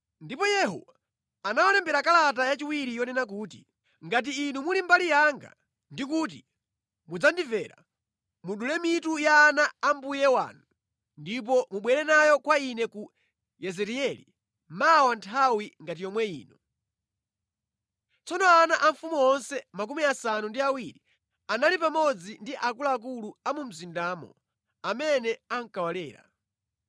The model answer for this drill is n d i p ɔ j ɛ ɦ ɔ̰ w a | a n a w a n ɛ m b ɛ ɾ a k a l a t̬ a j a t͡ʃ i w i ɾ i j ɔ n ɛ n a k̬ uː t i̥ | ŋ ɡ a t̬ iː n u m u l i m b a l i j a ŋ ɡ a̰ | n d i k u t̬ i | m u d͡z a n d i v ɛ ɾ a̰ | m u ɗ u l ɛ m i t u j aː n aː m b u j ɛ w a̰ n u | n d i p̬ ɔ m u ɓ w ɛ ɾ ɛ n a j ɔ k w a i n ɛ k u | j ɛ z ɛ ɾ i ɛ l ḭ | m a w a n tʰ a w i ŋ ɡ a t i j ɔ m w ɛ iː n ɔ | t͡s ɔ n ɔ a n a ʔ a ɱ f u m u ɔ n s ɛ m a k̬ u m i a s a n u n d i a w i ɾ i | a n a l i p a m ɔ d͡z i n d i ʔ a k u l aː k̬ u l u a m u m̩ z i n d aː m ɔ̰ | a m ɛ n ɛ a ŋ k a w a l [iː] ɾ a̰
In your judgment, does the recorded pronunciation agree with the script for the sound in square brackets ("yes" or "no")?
no